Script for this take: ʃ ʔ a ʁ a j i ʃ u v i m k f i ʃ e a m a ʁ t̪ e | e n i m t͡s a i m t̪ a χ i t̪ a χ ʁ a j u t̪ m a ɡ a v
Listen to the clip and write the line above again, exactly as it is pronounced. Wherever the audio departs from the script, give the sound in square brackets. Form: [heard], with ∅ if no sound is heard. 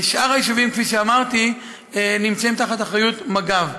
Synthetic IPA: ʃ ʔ a ʁ a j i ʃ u v i m k f i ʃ e a m a ʁ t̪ [i] | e n i m t͡s a i m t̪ a χ [a] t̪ a χ ʁ a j u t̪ m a ɡ a v